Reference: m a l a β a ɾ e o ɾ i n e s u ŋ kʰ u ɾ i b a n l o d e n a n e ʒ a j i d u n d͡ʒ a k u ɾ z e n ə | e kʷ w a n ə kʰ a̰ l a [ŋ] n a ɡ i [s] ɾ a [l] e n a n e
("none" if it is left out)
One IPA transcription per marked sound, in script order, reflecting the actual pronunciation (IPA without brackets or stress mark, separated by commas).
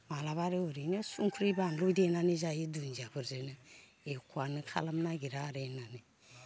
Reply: m, none, ɾ